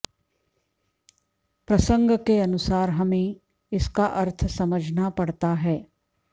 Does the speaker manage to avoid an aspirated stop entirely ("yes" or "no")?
no